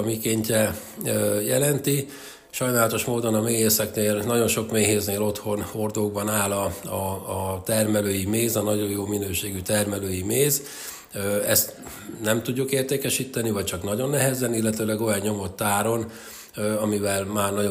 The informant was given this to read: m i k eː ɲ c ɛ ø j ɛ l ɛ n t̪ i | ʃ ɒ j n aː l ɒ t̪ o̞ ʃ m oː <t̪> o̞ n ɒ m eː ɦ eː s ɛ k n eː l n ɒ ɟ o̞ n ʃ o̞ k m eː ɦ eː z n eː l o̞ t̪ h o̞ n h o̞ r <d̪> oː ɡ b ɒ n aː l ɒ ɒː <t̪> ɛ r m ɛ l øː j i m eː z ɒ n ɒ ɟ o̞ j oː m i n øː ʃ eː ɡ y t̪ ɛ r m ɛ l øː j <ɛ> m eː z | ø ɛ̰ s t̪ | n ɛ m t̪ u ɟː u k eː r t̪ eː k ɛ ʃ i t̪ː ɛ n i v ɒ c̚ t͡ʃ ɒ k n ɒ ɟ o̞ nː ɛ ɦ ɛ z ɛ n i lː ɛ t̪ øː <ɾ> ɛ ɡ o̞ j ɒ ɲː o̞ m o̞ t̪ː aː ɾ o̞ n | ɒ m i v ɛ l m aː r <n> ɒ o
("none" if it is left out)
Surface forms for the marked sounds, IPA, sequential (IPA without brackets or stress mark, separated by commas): d̪, d̪, t̪, i, l, n